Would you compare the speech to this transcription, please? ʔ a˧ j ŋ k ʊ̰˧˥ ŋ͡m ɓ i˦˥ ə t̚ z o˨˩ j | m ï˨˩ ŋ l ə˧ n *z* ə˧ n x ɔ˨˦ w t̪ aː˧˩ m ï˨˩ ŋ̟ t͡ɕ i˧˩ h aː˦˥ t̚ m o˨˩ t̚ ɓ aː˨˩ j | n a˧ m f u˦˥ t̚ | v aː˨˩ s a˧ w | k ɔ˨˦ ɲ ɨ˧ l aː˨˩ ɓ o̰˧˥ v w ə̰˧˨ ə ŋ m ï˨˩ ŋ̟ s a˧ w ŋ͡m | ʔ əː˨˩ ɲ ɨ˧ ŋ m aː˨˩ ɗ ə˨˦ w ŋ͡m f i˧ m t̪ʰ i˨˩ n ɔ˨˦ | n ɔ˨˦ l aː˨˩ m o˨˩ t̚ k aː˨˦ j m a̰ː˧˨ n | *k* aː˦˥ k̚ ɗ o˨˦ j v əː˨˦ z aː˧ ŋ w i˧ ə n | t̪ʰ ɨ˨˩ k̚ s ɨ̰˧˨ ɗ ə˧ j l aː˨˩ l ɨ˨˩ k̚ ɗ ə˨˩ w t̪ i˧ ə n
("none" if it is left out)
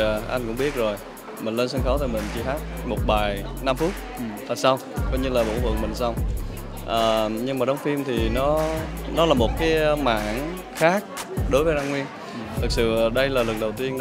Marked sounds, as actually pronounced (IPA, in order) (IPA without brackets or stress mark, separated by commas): s, x